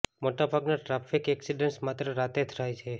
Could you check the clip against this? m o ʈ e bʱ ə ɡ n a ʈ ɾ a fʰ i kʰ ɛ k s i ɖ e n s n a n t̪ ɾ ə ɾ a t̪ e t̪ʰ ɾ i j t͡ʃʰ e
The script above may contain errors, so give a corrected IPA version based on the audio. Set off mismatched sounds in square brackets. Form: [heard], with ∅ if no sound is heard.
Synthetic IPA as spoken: m o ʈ [a] bʱ [a] ɡ n a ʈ ɾ a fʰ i [k] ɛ k s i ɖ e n s [m] a [∅] t̪ ɾ ə ɾ a t̪ e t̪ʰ ɾ [a] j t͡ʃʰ e